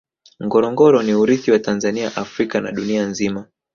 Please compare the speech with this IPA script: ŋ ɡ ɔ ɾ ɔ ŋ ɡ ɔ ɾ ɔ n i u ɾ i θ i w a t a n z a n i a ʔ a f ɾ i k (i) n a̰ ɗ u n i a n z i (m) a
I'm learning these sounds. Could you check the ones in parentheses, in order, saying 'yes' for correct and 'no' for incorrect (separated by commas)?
no, yes